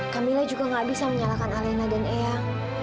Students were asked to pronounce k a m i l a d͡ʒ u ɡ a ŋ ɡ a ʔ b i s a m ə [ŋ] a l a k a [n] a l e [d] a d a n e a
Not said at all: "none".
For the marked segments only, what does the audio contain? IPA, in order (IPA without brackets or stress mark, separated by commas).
ɲ, n, n